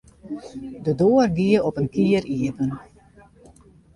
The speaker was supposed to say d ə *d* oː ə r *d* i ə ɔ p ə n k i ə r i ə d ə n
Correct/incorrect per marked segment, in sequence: correct, incorrect

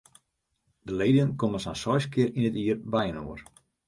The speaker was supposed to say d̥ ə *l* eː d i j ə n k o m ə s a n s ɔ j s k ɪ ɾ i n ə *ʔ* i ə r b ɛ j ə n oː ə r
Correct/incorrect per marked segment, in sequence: correct, incorrect

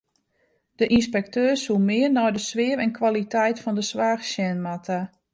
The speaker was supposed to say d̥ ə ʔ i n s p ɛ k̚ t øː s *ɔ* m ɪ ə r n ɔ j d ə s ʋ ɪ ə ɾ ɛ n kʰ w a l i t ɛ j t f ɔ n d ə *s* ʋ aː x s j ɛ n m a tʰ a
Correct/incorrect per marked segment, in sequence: incorrect, correct

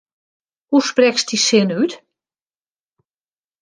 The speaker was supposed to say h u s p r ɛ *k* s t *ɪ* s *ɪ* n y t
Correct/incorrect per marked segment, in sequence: correct, incorrect, correct

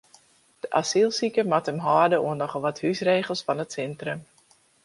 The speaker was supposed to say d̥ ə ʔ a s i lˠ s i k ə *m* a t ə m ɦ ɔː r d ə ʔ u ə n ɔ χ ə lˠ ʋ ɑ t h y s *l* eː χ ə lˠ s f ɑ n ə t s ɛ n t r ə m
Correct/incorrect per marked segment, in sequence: correct, incorrect

